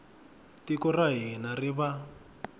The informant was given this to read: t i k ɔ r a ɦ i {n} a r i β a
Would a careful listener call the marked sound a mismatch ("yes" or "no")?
no